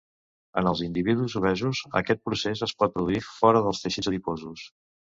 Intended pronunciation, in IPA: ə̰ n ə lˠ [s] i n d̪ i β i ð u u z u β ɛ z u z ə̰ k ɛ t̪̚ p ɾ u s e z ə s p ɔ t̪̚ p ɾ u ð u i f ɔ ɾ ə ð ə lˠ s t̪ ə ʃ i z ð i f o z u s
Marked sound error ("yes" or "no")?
yes